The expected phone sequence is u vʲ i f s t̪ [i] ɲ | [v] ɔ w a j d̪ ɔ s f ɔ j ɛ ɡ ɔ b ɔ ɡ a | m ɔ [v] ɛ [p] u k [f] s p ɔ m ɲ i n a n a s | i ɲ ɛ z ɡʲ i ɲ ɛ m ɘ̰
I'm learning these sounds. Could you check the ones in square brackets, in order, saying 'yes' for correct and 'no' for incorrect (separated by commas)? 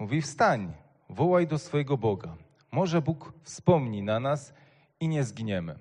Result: no, yes, no, no, yes